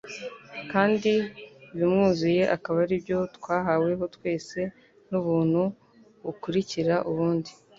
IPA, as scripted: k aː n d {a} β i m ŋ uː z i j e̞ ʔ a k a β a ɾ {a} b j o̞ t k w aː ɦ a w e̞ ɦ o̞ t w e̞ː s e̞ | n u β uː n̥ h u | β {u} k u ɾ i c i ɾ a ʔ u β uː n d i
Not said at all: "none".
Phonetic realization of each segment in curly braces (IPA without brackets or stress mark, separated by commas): i, i, u